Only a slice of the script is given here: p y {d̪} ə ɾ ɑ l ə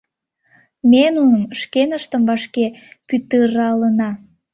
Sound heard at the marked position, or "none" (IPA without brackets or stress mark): t̪